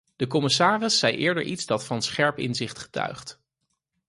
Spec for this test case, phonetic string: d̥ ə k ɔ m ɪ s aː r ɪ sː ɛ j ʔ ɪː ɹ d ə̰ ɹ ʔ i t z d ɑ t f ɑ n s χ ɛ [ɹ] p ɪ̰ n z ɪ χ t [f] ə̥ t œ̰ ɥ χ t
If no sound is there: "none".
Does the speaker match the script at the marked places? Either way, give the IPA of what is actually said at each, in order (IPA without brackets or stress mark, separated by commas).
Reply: ɹ, χ